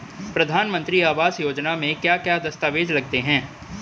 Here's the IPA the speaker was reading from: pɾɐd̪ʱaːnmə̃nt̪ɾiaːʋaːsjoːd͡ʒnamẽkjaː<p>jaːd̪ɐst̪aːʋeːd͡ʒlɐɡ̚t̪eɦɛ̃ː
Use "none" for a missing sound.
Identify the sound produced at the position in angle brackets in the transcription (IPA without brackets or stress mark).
k